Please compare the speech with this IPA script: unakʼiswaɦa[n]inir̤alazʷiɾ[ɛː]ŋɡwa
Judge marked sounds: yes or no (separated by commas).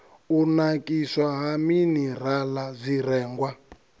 no, yes